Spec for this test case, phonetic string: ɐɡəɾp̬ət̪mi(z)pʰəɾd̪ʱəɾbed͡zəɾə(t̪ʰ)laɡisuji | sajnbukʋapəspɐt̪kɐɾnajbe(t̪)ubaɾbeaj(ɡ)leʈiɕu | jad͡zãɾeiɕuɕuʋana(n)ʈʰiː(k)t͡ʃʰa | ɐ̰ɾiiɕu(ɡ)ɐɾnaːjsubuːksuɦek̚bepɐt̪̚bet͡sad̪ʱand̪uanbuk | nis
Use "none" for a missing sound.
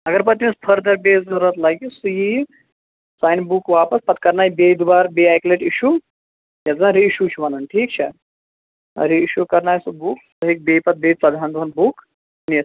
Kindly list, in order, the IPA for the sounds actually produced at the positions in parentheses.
s, t̪, d̪, k, n, k, k

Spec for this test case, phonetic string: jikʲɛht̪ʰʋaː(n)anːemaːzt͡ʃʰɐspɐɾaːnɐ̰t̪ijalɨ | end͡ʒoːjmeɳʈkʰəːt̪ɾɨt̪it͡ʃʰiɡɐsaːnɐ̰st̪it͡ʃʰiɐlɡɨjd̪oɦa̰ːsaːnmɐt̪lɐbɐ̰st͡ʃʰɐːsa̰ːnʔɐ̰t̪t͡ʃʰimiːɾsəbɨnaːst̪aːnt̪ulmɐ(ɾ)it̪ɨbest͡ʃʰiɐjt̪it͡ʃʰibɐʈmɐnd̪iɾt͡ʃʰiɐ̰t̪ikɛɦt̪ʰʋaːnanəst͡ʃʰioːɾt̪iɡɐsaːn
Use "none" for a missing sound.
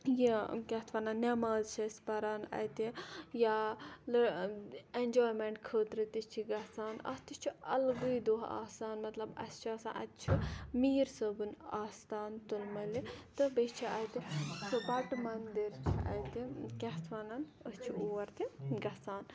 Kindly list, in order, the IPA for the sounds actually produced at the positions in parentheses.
n, l

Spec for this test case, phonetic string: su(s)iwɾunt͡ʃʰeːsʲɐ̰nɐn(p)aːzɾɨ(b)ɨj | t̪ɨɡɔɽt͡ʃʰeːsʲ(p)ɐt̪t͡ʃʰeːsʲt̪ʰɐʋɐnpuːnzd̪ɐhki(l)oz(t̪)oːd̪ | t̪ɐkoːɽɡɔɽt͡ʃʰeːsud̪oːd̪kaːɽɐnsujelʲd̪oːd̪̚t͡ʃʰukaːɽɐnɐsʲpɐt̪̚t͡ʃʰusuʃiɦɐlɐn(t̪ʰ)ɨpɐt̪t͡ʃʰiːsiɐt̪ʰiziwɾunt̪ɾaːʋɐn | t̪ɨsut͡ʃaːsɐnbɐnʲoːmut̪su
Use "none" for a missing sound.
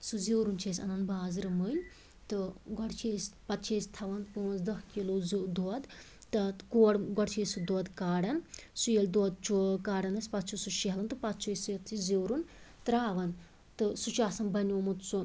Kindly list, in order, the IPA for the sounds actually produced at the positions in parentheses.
z, b, m, p, l, d̪, t̪

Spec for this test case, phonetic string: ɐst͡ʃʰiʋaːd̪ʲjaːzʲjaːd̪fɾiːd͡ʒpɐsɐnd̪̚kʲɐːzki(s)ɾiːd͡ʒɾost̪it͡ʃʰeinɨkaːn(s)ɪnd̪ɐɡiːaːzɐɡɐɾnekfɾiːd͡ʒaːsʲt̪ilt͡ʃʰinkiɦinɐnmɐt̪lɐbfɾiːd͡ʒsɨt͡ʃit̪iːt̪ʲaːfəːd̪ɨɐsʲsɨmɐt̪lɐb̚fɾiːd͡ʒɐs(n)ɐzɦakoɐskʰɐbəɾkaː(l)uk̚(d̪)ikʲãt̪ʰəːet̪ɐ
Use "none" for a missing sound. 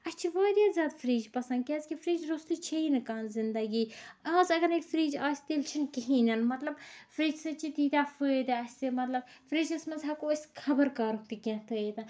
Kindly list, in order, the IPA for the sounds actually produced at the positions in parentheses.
f, z, m, ɾ, t̪

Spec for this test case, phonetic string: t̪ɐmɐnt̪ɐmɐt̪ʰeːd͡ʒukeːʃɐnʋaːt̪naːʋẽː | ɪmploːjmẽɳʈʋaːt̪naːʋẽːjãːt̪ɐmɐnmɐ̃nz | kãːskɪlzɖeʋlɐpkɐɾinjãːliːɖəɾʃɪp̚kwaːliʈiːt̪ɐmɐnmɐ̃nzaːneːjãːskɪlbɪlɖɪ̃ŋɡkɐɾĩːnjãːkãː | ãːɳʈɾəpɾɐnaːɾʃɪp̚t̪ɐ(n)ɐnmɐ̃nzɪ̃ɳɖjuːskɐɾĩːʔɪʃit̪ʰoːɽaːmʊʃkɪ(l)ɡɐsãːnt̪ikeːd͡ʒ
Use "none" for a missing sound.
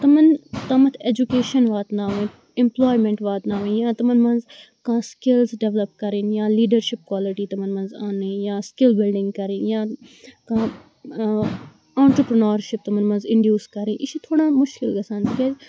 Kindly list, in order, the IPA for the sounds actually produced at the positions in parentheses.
m, l

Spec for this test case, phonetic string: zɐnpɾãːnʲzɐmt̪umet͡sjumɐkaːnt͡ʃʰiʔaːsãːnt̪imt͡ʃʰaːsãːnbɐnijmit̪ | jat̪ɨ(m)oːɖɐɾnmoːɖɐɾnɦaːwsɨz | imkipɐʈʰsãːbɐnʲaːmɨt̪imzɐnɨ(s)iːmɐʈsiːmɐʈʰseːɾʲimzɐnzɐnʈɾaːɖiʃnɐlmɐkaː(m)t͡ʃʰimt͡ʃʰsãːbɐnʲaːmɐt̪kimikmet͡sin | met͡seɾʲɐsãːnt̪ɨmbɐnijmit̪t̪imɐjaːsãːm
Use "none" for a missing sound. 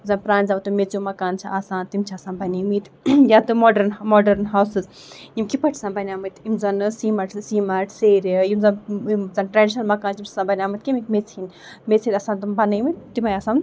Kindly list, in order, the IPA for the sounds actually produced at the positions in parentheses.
m, s, n

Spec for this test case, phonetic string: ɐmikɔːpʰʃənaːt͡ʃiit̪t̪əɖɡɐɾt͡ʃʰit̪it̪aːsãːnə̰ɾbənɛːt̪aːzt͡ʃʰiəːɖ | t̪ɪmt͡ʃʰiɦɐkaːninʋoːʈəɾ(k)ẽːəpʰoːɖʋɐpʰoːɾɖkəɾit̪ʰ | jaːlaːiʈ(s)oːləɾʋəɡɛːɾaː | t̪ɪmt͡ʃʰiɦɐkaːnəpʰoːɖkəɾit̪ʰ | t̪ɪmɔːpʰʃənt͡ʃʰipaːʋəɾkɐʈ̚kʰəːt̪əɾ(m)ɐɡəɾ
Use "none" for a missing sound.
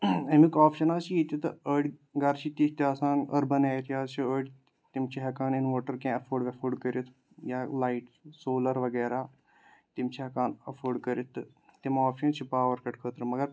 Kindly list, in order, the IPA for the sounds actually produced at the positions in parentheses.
k, s, m

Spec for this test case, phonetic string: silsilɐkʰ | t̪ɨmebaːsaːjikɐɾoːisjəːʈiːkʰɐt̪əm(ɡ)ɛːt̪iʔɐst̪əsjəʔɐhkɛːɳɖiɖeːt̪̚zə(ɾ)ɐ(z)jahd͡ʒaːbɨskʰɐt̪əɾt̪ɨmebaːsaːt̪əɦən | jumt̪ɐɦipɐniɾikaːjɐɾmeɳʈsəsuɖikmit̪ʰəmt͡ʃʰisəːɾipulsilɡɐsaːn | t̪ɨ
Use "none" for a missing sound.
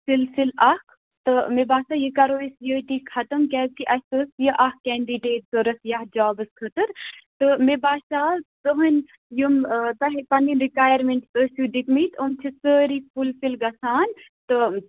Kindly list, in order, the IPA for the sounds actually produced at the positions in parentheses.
k, ɾ, s

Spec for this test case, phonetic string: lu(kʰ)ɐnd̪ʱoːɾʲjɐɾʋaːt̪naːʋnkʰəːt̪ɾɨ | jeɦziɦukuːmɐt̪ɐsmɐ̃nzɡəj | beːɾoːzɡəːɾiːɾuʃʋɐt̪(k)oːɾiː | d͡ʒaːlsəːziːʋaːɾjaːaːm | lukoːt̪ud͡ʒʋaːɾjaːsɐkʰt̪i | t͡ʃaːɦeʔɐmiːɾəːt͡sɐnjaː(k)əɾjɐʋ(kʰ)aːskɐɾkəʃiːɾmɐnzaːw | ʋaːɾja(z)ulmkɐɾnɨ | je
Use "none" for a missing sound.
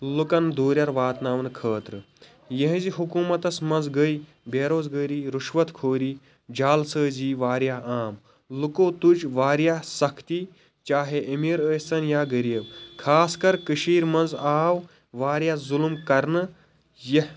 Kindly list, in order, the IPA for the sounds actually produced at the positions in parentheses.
k, kʰ, ɡ, kʰ, z

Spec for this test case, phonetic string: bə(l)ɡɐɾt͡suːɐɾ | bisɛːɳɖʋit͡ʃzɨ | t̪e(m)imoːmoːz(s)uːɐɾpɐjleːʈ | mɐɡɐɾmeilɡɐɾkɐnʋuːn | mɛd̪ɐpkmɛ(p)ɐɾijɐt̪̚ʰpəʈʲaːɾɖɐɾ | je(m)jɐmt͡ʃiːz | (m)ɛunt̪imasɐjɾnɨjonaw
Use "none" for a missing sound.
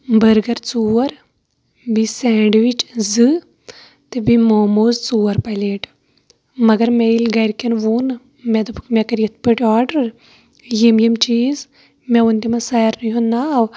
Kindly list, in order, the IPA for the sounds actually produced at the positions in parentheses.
ɾ, b, t͡s, k, m, m

